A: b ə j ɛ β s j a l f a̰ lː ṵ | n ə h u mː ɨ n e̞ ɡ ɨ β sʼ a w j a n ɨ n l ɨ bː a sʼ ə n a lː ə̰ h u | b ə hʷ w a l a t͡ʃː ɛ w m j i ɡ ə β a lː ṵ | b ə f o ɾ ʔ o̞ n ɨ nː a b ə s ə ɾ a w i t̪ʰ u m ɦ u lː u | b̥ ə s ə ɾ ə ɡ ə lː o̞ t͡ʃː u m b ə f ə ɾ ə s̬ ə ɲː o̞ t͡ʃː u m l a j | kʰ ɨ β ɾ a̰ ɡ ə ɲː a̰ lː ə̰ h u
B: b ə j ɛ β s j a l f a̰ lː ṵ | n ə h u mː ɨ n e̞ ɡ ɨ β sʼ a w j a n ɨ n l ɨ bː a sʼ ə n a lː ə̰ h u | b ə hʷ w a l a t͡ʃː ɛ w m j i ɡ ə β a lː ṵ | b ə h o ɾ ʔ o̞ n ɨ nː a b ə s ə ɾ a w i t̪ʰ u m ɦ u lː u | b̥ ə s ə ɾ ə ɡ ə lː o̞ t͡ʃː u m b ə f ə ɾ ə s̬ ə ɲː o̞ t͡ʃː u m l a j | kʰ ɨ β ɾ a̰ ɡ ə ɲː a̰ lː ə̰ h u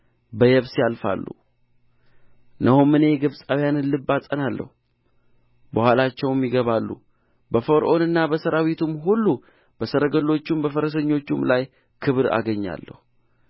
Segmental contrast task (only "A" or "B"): A